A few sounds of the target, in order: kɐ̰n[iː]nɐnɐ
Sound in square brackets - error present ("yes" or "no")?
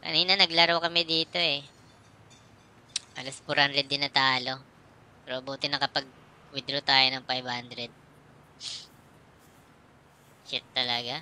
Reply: no